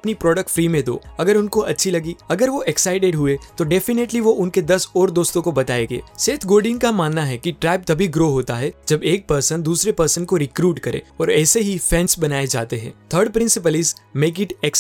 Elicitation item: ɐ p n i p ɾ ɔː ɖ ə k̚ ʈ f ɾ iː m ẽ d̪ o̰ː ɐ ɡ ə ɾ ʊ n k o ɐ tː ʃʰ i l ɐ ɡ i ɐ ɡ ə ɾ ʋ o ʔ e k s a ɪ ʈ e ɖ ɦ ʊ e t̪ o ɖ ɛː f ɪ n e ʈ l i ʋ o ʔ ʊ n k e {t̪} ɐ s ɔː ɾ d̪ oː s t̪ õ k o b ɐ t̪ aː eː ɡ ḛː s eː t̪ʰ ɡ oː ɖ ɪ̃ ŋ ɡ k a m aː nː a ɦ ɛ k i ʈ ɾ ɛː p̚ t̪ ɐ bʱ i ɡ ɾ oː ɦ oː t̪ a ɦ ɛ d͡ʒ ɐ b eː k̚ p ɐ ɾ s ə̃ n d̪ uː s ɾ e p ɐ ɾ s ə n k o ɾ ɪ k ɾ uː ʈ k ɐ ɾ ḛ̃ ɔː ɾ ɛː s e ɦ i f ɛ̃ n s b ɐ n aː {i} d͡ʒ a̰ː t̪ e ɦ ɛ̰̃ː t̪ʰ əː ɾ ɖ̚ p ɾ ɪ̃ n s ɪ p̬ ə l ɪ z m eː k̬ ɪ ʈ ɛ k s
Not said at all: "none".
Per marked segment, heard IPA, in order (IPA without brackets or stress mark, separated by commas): d̪, e